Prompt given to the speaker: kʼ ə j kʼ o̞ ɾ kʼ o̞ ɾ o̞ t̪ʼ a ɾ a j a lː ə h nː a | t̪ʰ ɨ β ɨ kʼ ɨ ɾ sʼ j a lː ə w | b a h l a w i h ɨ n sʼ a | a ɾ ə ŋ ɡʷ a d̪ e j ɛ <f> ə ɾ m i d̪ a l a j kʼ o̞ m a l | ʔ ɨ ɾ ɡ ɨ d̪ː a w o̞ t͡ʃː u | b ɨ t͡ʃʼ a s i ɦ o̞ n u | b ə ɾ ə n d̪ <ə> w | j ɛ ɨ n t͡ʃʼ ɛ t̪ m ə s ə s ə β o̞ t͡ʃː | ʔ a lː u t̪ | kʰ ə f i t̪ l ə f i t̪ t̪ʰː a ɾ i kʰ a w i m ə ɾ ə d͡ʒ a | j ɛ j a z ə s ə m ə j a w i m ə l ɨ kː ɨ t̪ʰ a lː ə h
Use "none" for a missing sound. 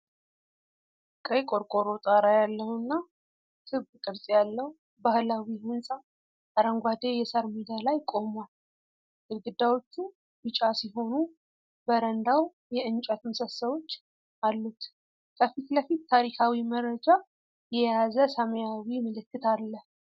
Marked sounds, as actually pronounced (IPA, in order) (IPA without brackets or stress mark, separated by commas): s, a